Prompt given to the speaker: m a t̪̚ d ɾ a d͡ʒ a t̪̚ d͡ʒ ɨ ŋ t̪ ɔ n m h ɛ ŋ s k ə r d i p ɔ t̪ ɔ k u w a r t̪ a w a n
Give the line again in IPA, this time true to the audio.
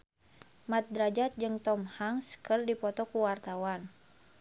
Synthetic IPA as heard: m a t̪̚ d ɾ a d͡ʒ a t̪̚ d͡ʒ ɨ ŋ t̪ ɔ m h a ŋ s k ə r d i p ɔ t̪ ɔ k u w a r t̪ a w a n